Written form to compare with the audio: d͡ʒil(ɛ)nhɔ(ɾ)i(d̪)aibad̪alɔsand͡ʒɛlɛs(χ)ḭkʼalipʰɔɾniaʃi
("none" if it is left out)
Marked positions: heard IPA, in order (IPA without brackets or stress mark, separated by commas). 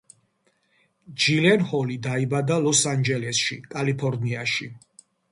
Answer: ɛ, l, d̪, ʃ